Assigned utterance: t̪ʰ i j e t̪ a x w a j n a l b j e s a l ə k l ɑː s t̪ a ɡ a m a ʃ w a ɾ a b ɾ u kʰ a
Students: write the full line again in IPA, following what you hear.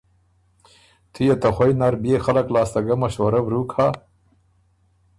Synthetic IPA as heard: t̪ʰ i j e t̪ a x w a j n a ɾ b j e x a l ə k l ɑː s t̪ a ɡ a m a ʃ w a ɾ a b ɾ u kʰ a